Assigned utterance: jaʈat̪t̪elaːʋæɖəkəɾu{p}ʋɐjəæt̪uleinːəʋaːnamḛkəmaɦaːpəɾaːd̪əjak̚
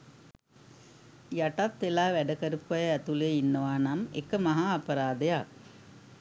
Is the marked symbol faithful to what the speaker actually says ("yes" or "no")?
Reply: yes